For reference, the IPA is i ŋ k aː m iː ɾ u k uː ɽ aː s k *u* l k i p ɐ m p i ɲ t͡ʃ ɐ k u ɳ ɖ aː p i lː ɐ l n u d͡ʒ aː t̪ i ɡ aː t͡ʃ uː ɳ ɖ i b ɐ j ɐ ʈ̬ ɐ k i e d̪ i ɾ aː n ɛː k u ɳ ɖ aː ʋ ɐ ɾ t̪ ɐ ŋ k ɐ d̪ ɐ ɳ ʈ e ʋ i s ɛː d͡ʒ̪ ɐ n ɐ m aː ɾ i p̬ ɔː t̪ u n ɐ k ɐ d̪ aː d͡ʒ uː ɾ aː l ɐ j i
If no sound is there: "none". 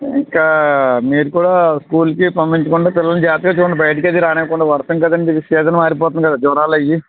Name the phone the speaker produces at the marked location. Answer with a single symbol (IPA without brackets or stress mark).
uː